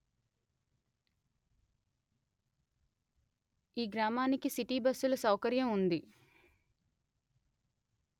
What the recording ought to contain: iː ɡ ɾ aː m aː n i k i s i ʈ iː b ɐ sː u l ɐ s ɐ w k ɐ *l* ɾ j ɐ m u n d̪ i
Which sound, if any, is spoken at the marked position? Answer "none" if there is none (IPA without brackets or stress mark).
none